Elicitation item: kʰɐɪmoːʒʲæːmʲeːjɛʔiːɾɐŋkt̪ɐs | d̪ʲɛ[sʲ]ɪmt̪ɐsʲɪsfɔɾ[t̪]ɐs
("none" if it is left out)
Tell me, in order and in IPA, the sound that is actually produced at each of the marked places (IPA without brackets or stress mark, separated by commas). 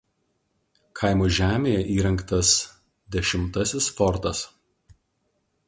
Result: ʃʲ, t̪